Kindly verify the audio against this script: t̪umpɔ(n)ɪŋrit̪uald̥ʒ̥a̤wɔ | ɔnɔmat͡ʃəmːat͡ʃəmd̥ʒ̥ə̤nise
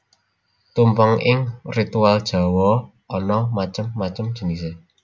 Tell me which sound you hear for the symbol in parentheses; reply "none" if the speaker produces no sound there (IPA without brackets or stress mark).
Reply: ŋ